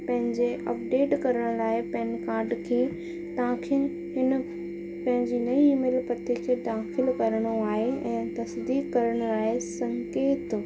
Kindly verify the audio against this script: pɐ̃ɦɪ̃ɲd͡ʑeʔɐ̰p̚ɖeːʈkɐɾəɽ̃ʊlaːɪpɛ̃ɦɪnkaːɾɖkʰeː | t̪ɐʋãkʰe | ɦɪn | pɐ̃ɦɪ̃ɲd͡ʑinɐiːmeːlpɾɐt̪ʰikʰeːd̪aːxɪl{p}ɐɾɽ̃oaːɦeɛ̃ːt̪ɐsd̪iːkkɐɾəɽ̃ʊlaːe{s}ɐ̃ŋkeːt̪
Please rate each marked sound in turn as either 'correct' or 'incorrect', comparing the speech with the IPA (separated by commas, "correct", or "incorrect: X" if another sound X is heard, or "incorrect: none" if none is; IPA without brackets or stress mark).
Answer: incorrect: k, correct